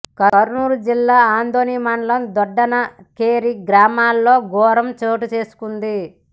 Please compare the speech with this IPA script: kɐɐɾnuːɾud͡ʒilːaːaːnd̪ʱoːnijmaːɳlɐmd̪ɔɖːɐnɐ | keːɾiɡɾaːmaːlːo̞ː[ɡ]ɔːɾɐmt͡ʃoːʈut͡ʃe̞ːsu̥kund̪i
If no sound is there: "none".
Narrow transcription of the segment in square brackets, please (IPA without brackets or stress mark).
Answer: ɡ